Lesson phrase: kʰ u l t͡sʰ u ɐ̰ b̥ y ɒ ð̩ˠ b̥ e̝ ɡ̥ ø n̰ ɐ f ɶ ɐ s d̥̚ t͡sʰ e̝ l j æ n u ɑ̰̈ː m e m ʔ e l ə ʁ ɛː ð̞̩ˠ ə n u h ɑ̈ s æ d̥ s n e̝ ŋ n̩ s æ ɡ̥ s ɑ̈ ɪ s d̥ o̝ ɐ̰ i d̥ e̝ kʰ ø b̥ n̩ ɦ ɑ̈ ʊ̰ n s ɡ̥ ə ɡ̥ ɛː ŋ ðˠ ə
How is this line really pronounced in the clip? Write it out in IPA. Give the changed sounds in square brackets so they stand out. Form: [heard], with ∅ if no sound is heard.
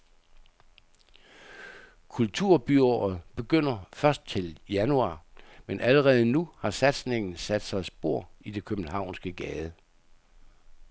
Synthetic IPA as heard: kʰ u l t͡sʰ u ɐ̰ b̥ y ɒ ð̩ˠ b̥ e̝ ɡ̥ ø n̰ ɐ f ɶ ɐ s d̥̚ t͡sʰ e̝ l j æ n u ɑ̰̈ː m e [n] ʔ [æ] l ə ʁ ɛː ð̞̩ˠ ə n u h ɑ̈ s æ d̥ s n e̝ ŋ n̩ s æ [d̥] s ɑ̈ ɪ s [b̥] o̝ ɐ̰ i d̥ e̝ kʰ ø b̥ n̩ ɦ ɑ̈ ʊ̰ n s ɡ̥ ə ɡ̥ ɛː [∅] ðˠ ə